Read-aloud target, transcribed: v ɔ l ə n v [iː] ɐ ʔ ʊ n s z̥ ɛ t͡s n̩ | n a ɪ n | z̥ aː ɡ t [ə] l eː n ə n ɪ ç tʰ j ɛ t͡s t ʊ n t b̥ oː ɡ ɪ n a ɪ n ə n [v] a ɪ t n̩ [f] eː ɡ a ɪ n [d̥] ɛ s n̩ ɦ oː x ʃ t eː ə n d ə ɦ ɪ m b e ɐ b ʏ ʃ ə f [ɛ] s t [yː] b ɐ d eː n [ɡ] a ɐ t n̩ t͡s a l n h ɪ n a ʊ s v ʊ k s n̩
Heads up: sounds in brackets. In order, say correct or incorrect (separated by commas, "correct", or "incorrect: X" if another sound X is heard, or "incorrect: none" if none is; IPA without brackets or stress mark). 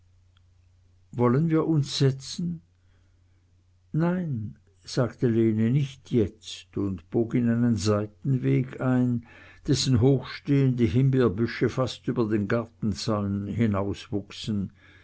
correct, correct, incorrect: z, incorrect: v, correct, incorrect: a, correct, correct